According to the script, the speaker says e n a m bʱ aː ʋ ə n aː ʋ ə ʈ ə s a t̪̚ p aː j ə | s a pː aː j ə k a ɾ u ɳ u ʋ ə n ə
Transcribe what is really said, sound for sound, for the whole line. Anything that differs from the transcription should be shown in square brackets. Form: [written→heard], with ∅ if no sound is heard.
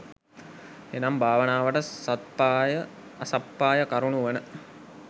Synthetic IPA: e n a m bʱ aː ʋ ə n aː ʋ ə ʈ ə s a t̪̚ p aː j ə | s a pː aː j ə k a ɾ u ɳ u ʋ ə n ə